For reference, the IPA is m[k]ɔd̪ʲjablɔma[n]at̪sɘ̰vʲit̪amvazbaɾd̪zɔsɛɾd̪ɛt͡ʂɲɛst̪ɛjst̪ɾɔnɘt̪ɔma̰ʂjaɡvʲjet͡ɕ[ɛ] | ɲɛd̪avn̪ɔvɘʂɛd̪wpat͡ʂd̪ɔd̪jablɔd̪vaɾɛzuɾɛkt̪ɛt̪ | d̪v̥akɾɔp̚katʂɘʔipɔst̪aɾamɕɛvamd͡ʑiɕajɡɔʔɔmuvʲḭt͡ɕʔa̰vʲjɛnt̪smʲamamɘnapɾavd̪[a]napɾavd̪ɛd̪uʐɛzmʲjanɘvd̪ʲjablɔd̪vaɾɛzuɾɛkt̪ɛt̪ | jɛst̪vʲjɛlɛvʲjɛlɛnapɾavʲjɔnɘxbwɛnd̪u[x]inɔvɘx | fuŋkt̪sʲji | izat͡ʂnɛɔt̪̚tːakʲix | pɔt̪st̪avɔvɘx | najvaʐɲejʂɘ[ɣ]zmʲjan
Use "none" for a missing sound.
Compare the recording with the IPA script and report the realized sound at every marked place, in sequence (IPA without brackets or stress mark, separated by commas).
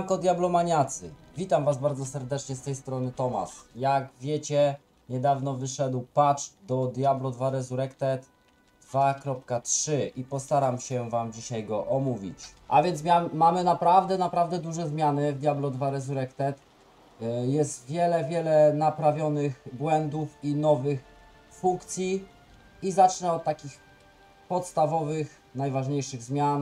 k, ɲ, ɛ, ɛ, f, ɣ